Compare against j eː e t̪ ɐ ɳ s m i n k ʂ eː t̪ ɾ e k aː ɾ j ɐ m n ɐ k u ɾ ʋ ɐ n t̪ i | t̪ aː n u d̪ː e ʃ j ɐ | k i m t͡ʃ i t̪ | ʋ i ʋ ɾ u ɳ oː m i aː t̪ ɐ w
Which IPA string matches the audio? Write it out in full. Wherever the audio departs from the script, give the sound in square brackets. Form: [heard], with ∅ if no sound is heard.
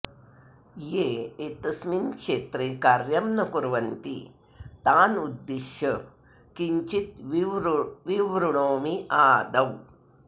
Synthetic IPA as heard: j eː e t̪ ɐ [∅] s m i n k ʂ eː t̪ ɾ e k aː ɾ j ɐ m n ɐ k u ɾ ʋ ɐ n t̪ i | t̪ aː n u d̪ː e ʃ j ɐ | k i [ɲ] t͡ʃ i t̪ | ʋ i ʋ ɾ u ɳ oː m i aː [d̪] ɐ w